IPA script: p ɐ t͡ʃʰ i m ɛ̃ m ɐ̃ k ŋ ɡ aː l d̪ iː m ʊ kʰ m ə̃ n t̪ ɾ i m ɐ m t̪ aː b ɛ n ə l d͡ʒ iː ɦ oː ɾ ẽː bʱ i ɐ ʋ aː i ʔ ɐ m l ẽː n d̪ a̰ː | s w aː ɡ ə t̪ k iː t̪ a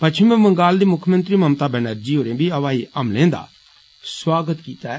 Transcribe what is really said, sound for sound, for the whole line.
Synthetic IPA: p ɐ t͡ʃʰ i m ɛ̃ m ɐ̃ ŋ ɡ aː l d̪ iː m ʊ kʰ m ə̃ n t̪ ɾ i m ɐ m t̪ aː b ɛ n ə ɾ d͡ʒ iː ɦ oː ɾ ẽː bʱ i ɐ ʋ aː i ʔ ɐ m l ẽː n d̪ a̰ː | s w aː ɡ ə t̪ k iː t̪ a